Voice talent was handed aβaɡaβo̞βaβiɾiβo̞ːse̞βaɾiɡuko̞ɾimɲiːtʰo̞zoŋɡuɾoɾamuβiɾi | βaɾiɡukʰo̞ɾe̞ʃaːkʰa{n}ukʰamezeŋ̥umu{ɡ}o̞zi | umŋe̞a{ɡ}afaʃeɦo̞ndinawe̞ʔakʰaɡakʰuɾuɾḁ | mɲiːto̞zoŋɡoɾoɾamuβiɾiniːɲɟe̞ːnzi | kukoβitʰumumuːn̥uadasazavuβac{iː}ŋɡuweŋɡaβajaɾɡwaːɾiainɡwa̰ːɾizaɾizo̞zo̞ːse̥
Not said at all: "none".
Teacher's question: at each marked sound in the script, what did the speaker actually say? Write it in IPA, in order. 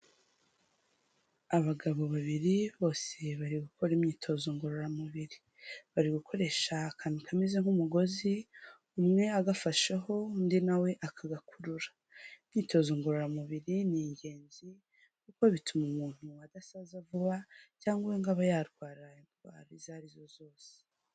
n, ɡ, ɡ, aː

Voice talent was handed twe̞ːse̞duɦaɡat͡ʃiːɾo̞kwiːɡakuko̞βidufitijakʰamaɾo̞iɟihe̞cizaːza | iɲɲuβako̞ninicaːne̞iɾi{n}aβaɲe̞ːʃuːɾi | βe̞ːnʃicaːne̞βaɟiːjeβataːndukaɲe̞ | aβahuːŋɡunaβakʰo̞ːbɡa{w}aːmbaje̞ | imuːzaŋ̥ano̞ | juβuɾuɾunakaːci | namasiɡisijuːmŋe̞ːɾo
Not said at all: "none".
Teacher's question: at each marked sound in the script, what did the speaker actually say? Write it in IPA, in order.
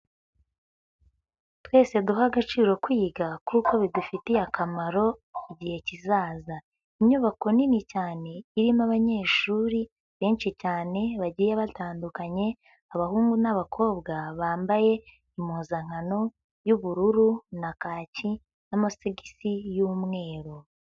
m, β

